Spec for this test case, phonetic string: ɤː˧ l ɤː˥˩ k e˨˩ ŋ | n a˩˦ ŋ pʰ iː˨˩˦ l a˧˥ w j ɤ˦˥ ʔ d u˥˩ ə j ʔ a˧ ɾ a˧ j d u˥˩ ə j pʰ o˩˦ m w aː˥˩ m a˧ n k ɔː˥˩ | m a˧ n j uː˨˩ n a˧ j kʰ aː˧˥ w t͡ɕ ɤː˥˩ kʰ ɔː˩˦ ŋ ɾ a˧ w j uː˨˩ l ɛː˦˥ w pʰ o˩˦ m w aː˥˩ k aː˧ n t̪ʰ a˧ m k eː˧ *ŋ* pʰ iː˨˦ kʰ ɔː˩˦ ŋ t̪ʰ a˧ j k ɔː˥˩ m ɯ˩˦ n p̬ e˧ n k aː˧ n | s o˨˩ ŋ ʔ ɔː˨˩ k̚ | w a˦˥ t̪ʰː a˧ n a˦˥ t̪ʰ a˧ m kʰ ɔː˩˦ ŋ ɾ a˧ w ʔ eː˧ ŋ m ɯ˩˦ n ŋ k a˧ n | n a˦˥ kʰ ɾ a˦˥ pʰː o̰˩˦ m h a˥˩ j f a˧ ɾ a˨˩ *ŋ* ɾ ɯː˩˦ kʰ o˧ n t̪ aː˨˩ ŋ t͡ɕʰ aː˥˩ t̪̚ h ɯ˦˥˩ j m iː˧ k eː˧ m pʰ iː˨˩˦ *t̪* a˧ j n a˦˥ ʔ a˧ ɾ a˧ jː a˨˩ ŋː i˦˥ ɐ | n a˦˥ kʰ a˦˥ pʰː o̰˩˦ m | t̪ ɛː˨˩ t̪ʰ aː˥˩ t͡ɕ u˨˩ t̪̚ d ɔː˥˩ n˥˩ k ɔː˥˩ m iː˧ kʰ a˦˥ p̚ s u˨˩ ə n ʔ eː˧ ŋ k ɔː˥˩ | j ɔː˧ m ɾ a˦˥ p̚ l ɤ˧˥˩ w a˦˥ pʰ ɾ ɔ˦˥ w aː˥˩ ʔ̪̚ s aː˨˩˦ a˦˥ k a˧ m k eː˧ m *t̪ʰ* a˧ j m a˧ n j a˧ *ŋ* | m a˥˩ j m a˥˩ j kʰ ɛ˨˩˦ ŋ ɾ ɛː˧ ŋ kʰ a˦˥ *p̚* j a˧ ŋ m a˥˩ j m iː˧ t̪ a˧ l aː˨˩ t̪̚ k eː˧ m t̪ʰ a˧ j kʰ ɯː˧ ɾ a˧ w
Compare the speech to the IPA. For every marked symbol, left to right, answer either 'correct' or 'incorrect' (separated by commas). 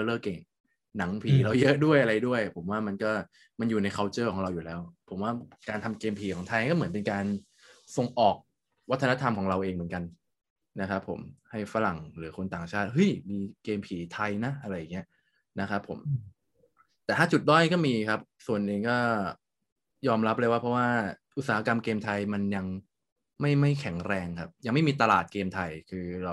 incorrect, correct, incorrect, correct, correct, correct